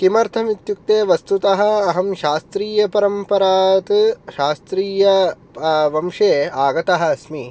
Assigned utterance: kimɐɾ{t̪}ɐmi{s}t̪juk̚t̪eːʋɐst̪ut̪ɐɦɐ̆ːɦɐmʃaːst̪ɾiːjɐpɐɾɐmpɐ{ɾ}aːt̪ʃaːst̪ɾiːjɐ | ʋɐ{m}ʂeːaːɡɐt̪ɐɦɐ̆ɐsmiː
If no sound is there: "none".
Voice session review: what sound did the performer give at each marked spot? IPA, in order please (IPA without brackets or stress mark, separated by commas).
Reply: t̪ʰ, none, ɾ, m